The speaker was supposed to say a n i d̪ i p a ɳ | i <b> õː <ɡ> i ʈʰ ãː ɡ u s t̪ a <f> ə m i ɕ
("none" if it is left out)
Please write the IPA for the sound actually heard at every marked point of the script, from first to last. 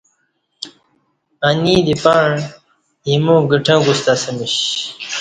m, ɡ, s

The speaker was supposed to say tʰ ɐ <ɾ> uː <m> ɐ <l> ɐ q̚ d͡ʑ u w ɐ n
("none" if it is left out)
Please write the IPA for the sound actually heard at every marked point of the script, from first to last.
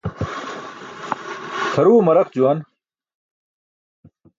ɾ, m, ɾ

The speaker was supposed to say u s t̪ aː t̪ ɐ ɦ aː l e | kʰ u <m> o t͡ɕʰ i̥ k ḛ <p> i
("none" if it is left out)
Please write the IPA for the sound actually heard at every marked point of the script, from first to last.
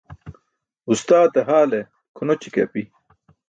n, p

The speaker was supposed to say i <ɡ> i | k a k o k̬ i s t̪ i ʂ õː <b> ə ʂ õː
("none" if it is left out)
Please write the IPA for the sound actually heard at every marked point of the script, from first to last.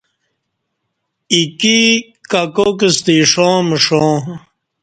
k, m

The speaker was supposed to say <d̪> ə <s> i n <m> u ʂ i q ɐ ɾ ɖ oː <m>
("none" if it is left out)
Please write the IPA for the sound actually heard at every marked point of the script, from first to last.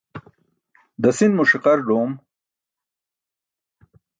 d̪, s, m, m

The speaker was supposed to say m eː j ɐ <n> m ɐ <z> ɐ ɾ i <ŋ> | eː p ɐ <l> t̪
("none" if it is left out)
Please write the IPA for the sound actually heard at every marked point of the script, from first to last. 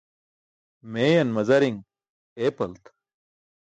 n, z, ŋ, l

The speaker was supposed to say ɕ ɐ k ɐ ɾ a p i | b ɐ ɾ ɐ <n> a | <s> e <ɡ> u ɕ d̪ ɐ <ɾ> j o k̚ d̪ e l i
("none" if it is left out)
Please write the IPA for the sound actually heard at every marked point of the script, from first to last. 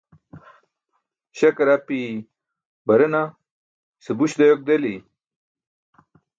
n, s, b, none

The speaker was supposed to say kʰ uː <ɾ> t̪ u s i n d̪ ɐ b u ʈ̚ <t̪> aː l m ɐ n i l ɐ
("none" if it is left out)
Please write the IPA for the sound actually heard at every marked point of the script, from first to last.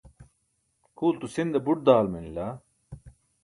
l, d̪

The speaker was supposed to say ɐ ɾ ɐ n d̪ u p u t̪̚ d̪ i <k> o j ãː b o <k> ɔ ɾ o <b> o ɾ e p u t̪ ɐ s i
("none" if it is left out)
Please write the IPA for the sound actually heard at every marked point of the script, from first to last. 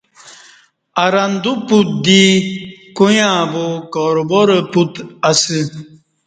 k, k, b

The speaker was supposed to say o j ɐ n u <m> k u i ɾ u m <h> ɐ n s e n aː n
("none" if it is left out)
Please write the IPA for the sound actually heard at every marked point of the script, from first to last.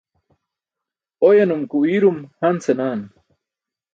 m, h

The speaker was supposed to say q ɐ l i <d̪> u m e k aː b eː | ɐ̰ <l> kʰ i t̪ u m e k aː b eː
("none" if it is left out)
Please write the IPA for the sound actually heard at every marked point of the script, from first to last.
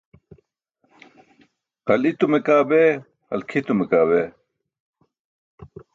t̪, l

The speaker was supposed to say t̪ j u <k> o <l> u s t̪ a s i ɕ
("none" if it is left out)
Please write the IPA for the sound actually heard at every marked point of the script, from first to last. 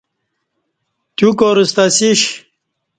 k, ɾ

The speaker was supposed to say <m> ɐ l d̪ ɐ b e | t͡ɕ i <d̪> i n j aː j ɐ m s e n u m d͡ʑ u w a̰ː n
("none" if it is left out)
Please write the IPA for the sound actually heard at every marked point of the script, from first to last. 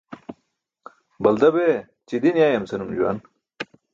b, d̪

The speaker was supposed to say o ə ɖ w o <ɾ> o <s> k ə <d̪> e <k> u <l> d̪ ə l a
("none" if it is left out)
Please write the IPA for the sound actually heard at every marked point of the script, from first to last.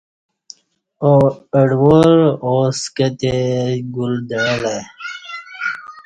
ɾ, s, t̪, ɡ, l

